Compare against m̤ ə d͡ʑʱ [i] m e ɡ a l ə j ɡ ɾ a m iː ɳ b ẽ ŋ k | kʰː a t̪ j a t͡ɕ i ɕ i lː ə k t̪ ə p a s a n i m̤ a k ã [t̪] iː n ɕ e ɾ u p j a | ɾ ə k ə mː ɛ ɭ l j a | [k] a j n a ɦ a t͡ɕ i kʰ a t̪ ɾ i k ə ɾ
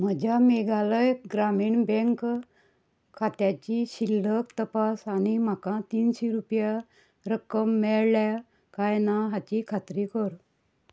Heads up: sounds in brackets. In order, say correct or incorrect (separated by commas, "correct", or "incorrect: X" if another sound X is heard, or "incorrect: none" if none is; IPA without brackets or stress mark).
incorrect: a, correct, correct